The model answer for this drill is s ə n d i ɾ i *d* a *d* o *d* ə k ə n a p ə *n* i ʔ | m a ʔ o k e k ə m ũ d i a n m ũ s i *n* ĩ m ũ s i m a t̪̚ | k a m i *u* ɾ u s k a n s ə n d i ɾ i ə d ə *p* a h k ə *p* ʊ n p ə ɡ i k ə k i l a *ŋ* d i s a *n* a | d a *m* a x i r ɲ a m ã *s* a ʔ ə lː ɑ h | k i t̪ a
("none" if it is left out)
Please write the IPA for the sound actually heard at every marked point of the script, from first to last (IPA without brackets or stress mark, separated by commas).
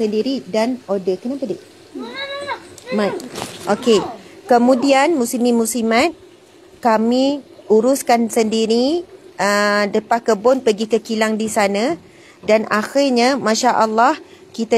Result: d, n, d, d, m, u, p, b, ŋ, n, n, ʃ